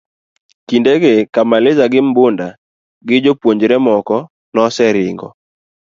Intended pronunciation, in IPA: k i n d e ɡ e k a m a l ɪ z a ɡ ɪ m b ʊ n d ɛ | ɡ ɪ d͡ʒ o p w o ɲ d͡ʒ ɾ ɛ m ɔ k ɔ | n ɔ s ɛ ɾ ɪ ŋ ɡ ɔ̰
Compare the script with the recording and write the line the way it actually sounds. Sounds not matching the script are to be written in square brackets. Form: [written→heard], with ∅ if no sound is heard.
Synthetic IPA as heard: k i n d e ɡ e k a m a l ɪ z a ɡ ɪ m b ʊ n d [ɛ→a] | ɡ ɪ d͡ʒ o p w o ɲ d͡ʒ ɾ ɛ m ɔ k ɔ | n ɔ s ɛ ɾ ɪ ŋ ɡ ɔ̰